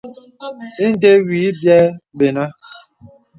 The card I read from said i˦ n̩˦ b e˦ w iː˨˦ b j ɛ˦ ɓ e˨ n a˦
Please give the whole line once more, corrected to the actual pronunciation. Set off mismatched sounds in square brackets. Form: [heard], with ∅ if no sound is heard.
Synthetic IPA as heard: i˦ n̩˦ [d] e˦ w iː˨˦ b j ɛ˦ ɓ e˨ n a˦